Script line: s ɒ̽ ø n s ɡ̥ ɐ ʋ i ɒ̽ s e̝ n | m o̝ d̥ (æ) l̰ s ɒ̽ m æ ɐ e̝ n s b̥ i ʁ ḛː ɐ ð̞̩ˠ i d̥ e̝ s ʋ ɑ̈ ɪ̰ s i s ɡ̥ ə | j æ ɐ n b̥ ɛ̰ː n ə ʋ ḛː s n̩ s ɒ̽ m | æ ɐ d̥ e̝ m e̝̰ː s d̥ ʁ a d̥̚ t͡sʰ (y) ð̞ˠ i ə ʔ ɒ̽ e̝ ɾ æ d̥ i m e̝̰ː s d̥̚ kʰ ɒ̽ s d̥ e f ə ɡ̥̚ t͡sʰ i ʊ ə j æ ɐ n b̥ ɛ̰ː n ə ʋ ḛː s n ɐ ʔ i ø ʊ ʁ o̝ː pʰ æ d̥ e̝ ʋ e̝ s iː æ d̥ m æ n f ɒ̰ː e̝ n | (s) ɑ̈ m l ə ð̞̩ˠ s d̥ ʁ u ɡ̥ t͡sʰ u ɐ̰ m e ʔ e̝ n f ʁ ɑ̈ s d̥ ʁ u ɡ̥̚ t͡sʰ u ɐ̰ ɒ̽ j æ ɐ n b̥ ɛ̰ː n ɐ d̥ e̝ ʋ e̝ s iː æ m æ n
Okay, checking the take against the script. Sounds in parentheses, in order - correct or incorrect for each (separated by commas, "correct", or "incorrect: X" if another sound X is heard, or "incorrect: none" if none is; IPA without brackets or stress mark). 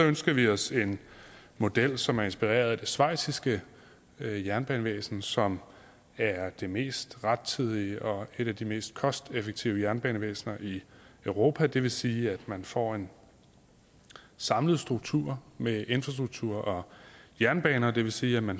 incorrect: e, incorrect: i, correct